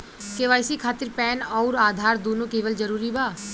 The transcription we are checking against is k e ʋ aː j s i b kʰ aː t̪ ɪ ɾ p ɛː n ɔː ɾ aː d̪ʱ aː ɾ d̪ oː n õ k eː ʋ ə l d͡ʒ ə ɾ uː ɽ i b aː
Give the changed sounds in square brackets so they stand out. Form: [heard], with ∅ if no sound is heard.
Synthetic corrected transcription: k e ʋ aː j s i [∅] kʰ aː t̪ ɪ ɾ p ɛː n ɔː ɾ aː d̪ʱ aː ɾ d̪ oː n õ k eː ʋ ə l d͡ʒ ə ɾ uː [ɾ] i b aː

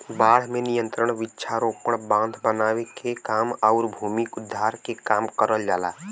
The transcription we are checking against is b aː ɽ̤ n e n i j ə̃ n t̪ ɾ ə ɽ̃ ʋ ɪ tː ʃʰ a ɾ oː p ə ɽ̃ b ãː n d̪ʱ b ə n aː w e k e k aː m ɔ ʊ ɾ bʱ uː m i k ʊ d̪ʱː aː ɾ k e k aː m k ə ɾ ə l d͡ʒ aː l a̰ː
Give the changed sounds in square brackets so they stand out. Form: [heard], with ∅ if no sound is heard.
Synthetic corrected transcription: b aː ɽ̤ [m] e n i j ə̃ n t̪ ɾ ə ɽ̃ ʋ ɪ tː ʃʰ a ɾ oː p ə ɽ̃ b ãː n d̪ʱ b ə n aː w e k e k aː m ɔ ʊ ɾ bʱ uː m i k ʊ d̪ʱː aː ɾ k e k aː m k ə ɾ ə l d͡ʒ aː l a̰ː

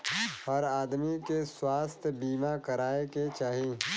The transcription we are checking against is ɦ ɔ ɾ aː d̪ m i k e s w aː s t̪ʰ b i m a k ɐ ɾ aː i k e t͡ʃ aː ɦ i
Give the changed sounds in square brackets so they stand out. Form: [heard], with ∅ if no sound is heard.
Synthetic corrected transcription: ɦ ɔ ɾ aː d̪ m i k e s w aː s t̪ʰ b [iː] m a k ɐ ɾ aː [e] k e t͡ʃ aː ɦ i

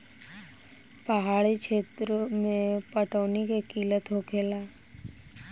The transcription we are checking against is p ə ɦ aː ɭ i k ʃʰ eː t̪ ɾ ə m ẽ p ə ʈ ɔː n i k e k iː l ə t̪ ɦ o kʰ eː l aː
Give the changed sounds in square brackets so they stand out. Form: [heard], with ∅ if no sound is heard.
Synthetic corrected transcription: p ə ɦ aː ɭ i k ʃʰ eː t̪ ɾ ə m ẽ p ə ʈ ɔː n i k e k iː l ə t̪ ɦ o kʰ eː l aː

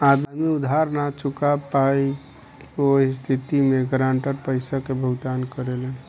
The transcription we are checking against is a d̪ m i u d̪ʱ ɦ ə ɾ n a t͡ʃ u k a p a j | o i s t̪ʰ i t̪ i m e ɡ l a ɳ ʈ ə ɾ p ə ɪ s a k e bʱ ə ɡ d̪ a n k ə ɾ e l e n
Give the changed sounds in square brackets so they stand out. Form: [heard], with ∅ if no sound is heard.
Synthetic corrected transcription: a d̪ m i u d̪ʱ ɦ [a] ɾ n a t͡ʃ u k a p a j | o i s t̪ʰ i t̪ i m e ɡ [ɾ] a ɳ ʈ ə ɾ p ə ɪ s a k e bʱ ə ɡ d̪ a n k ə ɾ e l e n

